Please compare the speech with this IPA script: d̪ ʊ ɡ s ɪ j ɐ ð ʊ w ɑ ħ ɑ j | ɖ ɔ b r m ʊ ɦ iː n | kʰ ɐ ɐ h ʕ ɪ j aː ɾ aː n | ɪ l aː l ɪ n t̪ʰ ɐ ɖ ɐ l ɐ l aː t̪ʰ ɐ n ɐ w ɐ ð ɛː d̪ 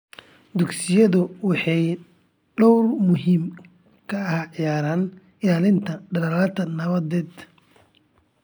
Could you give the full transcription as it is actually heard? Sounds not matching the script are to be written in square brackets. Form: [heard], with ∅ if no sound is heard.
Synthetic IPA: d̪ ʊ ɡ s ɪ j ɐ ð ʊ w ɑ ħ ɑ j | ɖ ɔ [w] r m ʊ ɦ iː [m] | kʰ ɐ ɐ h ʕ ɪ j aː ɾ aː n | ɪ l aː l ɪ n t̪ʰ ɐ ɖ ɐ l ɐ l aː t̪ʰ ɐ n ɐ [β] ɐ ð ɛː d̪